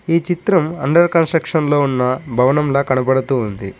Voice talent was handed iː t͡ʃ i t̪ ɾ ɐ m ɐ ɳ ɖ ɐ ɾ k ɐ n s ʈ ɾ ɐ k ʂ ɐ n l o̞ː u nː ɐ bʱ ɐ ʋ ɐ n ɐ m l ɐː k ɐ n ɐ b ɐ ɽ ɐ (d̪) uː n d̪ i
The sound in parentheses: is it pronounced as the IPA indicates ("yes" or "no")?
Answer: no